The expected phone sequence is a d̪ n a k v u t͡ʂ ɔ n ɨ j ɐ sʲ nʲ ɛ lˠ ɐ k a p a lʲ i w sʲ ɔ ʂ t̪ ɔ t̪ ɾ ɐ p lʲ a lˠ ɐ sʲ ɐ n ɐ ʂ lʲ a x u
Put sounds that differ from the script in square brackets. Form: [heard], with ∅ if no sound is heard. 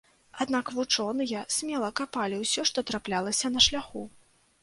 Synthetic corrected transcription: a d̪ n a k v u t͡ʂ ɔ n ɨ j ɐ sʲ [mʲ] ɛ lˠ ɐ k a p a lʲ i w sʲ ɔ ʂ t̪ ɔ t̪ ɾ [a] p lʲ a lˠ ɐ sʲ ɐ n ɐ ʂ lʲ a x u